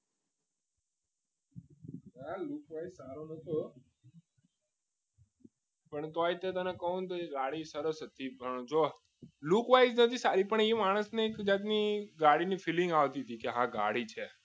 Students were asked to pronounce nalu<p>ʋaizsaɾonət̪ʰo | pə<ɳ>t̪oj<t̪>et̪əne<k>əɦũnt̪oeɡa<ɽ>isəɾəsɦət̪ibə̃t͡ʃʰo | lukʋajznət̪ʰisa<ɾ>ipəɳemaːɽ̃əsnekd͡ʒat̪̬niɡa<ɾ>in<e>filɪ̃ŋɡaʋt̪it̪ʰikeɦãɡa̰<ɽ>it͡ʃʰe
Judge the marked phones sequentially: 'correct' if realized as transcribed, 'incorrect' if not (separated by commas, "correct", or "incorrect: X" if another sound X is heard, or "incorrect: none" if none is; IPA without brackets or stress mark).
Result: incorrect: k, correct, correct, correct, correct, correct, incorrect: ɽ, incorrect: i, correct